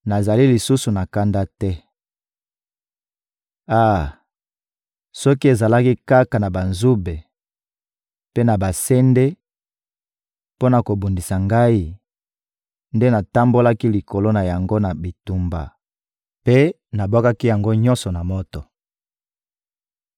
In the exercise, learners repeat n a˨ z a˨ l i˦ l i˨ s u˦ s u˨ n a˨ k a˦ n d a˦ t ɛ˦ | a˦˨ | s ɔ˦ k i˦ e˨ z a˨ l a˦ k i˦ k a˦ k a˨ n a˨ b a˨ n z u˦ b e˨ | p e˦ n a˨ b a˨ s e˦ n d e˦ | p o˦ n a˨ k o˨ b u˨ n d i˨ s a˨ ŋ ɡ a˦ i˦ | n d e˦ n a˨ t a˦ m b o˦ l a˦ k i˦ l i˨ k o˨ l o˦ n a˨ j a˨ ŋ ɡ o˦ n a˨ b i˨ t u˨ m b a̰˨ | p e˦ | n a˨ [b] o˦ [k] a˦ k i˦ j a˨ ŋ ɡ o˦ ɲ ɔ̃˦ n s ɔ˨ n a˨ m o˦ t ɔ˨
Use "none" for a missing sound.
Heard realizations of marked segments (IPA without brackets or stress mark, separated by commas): b, k